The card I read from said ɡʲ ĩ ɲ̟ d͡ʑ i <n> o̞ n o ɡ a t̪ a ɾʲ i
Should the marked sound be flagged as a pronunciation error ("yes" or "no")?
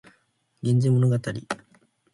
yes